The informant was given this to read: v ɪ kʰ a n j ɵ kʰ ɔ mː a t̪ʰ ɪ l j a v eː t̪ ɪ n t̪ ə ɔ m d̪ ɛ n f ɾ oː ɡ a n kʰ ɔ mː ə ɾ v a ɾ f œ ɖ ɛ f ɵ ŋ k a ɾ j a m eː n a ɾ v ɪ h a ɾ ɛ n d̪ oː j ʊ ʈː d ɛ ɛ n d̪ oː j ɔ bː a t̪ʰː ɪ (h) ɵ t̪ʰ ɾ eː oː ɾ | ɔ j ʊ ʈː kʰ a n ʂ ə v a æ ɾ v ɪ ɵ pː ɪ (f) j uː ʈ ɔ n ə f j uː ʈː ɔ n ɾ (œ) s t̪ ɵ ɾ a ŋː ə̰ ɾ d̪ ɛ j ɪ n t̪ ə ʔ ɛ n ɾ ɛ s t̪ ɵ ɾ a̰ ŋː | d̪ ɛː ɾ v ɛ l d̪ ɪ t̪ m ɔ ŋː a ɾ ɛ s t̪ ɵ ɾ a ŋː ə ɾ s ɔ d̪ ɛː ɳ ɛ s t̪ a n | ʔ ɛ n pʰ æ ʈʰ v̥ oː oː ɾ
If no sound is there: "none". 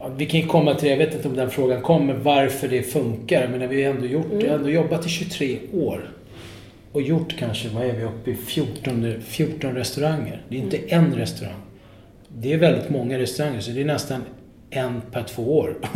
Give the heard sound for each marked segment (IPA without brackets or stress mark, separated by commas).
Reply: ɕ, f, ɛ